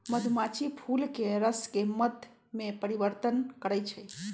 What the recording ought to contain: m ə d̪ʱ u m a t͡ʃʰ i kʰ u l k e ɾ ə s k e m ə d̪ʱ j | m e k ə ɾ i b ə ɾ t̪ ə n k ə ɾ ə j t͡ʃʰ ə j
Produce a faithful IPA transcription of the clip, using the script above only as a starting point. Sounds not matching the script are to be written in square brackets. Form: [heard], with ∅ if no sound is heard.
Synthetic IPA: m ə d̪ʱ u m a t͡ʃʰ i [pʰ] u l k e ɾ ə s k e m ə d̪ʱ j | m e [p] ə ɾ i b ə ɾ t̪ ə n k ə ɾ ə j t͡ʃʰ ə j